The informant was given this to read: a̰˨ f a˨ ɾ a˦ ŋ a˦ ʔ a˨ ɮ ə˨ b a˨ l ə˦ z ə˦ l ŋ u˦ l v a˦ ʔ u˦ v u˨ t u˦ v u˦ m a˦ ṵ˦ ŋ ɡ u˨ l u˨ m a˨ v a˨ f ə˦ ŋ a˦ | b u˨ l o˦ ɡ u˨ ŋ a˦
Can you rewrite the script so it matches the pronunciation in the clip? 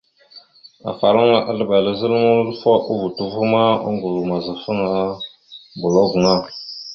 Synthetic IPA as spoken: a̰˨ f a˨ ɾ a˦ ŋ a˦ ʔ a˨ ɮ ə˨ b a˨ l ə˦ z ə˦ l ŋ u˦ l f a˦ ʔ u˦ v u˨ t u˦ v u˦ m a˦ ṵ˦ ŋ ɡ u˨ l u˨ m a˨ z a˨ f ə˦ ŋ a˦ | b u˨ l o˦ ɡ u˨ ŋ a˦